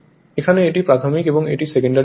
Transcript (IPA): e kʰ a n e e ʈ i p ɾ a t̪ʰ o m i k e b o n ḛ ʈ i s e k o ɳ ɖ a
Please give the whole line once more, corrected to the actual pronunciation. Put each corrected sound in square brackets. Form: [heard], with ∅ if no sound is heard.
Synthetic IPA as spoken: e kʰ a n e e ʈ i p ɾ a t̪ʰ o m i k e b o [ŋ] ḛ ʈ i s e k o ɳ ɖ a